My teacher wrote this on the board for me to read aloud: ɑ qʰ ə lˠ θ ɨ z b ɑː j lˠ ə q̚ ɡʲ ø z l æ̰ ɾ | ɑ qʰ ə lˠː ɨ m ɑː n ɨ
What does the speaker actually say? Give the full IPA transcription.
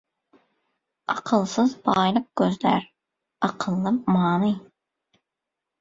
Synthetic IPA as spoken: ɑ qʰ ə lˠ s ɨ z b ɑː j lˠ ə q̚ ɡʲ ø z l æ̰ ɾ | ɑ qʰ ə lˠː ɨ m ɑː n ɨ

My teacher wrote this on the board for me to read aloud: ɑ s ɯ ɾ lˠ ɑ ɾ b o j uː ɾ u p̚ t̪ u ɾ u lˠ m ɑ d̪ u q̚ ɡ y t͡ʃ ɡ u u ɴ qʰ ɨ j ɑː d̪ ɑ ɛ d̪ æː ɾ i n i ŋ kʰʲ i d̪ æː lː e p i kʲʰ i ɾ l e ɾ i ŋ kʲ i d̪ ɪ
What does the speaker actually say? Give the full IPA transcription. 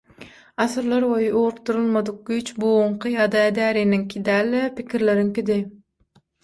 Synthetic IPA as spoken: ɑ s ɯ ɾ lˠ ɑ ɾ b o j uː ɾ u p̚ t̪ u ɾ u lˠ m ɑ d̪ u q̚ ɡ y t͡ʃ b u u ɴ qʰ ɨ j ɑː d̪ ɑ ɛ d̪ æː ɾ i n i ŋ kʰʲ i d̪ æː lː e p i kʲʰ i ɾ l e ɾ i ŋ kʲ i d̪ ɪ

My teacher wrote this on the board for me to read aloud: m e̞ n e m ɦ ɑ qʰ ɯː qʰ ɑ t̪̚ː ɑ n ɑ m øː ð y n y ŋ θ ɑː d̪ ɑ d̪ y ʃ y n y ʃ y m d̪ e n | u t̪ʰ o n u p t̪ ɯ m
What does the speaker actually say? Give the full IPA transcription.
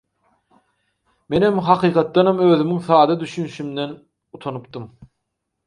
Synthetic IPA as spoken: m e̞ n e m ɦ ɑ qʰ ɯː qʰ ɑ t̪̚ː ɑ n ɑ m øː ð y m y ŋ θ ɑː d̪ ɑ d̪ y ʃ y n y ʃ y m d̪ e n | u t̪ʰ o n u p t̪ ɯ m

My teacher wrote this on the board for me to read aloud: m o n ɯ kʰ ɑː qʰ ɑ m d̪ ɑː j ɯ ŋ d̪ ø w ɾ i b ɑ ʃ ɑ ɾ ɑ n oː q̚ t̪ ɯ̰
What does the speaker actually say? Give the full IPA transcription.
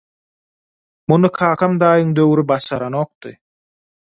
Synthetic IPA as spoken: m u n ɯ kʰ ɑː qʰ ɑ m d̪ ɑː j ɯ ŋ d̪ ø w ɾ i b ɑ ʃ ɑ ɾ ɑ n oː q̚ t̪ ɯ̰

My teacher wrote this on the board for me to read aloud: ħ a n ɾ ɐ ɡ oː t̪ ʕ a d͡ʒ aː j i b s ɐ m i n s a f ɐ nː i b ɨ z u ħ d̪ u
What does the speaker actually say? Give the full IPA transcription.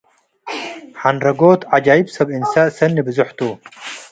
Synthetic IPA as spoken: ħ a n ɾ ɐ ɡ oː t̪ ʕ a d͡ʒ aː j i b s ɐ b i n s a s ɐ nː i b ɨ z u ħ t̪ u

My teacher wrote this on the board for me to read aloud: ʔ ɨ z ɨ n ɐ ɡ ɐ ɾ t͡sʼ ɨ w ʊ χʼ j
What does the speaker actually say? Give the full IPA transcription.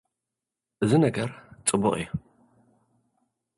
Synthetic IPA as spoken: ʔ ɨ z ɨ n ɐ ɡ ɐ ɾ t͡sʼ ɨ b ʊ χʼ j

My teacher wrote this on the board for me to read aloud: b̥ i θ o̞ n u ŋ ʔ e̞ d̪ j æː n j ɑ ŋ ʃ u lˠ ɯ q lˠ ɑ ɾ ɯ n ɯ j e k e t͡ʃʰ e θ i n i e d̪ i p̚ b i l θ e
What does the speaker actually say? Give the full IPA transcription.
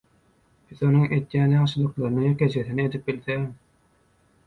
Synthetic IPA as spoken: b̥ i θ o̞ n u ŋ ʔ e̞ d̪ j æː n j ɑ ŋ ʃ ɯ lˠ ɯ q lˠ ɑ ɾ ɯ n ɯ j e k e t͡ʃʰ e θ i n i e d̪ i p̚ b i l θ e

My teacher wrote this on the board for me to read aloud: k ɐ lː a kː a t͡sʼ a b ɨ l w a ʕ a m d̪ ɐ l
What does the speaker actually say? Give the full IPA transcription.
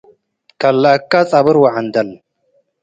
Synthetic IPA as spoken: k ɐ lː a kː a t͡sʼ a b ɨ ɾ w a ʕ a n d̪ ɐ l

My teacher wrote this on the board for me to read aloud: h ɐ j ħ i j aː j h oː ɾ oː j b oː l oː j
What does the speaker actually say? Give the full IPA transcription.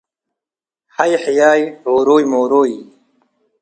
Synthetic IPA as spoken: h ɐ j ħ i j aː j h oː ɾ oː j m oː ɾ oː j

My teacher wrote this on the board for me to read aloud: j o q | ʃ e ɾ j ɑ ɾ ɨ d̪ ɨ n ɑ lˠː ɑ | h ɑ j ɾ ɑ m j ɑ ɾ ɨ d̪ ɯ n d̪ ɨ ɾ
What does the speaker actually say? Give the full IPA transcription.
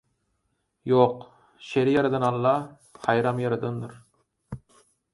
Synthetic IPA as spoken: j o q | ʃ e ɾ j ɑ ɾ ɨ d̪ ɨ n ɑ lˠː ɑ | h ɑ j ɾ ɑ m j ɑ ɾ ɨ d̪ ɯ n d̪ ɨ ɾ

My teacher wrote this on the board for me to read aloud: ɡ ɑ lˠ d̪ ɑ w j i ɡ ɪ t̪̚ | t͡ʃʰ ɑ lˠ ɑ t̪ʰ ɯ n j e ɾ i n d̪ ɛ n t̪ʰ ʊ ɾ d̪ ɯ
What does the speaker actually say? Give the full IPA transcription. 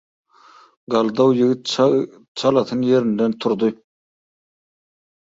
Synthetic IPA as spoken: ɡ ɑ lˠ d̪ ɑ w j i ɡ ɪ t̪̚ | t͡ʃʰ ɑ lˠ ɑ t̪ʰ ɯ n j e ɾ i n d̪ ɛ n t̪ʰ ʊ ɾ d̪ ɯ

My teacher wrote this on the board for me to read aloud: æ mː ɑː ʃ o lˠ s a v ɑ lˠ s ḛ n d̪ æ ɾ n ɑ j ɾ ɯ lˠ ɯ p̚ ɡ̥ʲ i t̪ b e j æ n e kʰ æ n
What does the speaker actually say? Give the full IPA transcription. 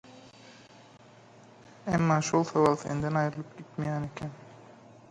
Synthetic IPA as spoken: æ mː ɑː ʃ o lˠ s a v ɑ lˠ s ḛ n d̪ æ n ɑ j ɾ ɯ lˠ ɯ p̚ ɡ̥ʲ i t̪ m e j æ n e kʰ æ n

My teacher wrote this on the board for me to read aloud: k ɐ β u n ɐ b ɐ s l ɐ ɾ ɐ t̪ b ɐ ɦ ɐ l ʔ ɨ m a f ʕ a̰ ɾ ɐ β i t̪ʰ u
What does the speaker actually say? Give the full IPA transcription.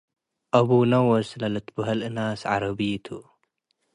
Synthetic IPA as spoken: ʔ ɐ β u n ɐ w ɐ s l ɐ l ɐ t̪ b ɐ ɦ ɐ l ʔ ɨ n a s ʕ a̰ ɾ ɐ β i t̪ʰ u

